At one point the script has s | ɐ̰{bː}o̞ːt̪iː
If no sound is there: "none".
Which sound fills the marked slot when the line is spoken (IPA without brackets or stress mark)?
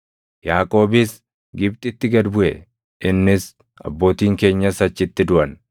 bː